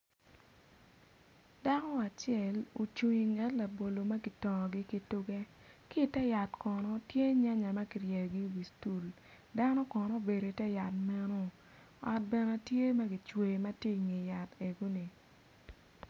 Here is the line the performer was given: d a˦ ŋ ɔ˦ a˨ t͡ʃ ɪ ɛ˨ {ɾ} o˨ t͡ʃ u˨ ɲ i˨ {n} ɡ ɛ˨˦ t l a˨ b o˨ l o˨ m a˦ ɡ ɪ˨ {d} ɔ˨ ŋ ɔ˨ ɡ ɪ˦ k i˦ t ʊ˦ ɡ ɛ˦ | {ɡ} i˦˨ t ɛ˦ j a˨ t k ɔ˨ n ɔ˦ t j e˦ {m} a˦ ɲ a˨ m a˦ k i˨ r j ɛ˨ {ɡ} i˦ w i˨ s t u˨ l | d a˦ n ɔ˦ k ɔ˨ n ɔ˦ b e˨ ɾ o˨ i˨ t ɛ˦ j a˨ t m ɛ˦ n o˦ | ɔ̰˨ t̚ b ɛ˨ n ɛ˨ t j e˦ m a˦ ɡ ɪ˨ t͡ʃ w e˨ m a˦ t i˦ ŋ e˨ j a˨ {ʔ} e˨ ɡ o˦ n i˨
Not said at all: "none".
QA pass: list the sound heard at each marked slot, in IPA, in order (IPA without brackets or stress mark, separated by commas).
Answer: l, ŋ, t, k, ɲ, ɡ, t